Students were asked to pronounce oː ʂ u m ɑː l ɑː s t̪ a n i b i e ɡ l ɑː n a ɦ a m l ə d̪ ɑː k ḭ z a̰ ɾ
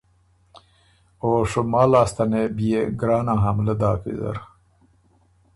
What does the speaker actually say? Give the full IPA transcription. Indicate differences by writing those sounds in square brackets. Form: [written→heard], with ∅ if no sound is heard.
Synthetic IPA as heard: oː ʂ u m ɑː l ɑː s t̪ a n [i→e] b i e ɡ [l→ɾ] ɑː n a ɦ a m l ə d̪ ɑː k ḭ z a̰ ɾ